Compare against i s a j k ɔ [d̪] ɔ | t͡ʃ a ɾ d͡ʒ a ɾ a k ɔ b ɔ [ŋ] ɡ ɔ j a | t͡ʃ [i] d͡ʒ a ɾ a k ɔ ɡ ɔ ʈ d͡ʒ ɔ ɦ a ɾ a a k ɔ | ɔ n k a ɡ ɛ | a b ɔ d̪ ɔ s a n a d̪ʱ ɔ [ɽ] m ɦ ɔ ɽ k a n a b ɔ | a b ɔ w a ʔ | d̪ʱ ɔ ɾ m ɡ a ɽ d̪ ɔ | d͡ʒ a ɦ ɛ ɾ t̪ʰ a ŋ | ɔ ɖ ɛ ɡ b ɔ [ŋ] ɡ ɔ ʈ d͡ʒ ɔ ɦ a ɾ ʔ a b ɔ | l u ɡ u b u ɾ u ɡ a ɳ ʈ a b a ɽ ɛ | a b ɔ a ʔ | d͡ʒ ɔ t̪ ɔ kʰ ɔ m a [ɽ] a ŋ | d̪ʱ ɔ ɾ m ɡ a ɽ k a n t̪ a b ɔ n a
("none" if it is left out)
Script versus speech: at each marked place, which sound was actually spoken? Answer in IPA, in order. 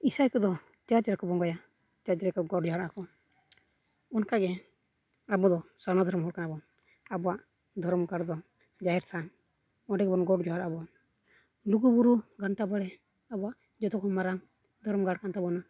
d̪, ŋ, a, ɾ, n, ɾ

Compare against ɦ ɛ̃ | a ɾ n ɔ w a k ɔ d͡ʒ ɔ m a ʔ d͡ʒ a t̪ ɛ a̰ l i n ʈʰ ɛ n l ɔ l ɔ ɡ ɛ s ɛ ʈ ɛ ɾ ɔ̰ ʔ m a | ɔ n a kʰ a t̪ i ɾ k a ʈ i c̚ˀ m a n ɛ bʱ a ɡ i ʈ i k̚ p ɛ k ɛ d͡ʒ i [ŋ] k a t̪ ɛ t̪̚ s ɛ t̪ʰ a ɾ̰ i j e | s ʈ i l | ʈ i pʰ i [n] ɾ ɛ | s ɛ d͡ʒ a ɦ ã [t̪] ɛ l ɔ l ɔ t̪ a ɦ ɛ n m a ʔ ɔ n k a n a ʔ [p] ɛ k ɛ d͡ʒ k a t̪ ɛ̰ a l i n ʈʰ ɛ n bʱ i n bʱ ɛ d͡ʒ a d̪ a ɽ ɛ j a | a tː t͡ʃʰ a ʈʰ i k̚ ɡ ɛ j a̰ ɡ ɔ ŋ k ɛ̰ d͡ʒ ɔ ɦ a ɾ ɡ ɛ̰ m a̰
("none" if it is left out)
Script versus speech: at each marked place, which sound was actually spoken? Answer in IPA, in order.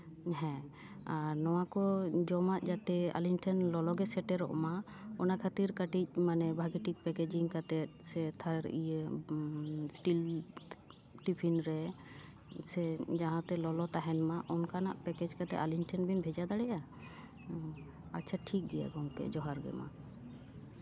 ŋ, n, t̪, p

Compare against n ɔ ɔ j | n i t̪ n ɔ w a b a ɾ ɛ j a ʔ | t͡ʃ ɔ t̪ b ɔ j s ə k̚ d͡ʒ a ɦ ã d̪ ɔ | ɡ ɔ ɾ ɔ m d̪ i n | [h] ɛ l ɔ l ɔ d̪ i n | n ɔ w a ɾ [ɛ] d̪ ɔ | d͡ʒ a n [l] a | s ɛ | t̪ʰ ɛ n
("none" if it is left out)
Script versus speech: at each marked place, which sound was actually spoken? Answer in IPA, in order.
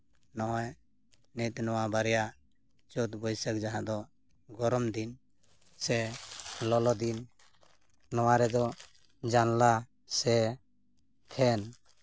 s, ɛ, l

